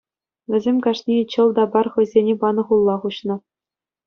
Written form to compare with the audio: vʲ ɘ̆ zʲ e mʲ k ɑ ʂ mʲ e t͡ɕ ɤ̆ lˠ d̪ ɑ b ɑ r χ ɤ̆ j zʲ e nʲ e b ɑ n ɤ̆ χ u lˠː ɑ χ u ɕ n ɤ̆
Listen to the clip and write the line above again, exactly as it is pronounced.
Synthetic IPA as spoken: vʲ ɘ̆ zʲ e mʲ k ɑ ʂ nʲ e t͡ɕ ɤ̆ lˠ d̪ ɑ b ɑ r χ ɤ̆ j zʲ e nʲ e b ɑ n ɤ̆ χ u lˠː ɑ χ u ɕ n ɤ̆